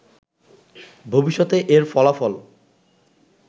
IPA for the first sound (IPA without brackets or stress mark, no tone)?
bʱ